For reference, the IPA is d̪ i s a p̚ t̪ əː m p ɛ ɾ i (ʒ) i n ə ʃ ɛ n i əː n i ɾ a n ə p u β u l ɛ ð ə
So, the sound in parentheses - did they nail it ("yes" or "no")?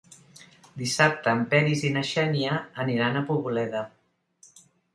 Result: no